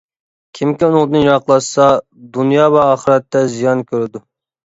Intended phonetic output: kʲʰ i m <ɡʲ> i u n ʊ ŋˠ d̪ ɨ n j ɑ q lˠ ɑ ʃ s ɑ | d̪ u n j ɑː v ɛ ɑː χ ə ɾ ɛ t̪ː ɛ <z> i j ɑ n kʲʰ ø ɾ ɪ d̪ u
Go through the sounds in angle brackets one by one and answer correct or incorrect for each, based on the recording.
incorrect: kʲ, correct

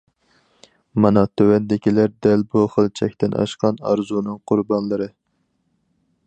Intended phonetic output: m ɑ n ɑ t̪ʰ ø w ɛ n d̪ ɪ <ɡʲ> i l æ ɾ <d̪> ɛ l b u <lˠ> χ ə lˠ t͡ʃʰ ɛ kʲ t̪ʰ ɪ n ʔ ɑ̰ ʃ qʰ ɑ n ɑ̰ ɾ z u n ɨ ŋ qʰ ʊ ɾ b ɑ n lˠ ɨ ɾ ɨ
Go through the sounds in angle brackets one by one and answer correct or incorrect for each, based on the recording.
incorrect: kʲ, correct, incorrect: none

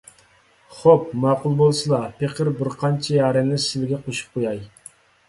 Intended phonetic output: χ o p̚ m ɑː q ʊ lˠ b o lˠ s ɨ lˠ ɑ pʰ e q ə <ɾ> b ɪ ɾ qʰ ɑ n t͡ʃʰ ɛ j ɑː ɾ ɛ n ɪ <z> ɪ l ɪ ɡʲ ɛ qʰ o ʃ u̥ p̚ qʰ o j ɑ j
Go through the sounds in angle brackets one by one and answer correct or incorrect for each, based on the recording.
correct, incorrect: s

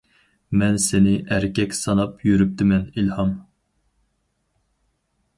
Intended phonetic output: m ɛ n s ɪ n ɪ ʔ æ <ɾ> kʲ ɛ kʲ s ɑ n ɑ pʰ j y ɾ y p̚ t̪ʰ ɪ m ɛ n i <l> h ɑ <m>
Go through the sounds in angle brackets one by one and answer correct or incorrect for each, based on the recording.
correct, correct, correct

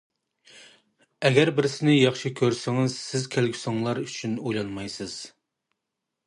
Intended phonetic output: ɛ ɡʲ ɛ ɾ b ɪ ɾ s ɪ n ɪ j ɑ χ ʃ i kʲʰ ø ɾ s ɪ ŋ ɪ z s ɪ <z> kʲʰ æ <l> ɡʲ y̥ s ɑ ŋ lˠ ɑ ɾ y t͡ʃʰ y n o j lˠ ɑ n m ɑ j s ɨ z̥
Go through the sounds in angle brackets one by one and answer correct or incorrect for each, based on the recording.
correct, correct

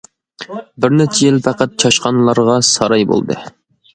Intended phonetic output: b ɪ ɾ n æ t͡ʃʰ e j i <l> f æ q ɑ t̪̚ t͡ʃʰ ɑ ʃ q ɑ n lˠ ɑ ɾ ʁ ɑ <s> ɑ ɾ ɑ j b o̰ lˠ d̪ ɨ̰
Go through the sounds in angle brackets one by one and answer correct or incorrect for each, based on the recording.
correct, correct

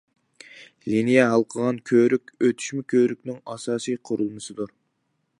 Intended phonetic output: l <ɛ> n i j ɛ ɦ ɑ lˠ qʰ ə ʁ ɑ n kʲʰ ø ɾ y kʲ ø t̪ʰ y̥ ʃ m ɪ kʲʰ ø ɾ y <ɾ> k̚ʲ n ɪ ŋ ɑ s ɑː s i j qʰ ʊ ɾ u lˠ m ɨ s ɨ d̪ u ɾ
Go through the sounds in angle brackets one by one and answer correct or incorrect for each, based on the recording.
incorrect: i, incorrect: none

